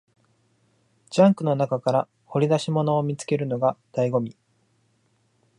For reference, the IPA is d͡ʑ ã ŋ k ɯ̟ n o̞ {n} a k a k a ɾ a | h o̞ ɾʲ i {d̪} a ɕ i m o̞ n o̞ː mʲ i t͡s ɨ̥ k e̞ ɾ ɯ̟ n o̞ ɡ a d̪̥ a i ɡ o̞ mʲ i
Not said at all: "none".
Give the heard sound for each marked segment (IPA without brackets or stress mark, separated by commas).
n, d̪